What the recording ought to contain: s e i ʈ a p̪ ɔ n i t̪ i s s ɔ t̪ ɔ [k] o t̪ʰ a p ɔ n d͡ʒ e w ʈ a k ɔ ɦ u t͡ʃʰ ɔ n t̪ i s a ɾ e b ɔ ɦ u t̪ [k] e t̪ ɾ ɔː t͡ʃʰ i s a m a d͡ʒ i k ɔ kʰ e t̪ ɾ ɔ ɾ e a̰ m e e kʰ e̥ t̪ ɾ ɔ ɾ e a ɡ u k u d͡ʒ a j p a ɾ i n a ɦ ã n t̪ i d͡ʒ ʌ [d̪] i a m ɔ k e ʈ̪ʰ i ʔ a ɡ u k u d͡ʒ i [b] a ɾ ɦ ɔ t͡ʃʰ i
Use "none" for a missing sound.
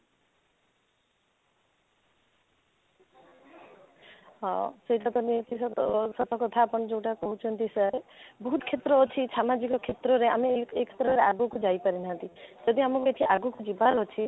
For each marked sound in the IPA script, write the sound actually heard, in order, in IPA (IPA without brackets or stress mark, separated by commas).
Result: k, kʰ, d̪, b